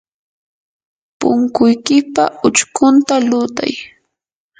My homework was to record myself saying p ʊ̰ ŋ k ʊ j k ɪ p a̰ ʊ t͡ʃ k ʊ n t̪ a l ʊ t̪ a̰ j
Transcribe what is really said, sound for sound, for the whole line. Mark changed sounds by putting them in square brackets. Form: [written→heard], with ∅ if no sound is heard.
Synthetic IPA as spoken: p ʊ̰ ŋ k ʊ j k ɪ p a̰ ʊ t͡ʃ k ʊ n t̪ a l ʊ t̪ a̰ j